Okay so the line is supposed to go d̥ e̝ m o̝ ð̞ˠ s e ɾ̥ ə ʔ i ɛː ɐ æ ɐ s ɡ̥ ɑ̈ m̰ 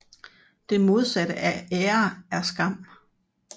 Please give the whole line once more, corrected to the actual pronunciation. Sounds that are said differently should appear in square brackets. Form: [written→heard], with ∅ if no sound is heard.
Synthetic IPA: d̥ e̝ m o̝ ð̞ˠ s [e→æ] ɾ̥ ə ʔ [i→æ] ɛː ɐ æ ɐ s ɡ̥ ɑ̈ m̰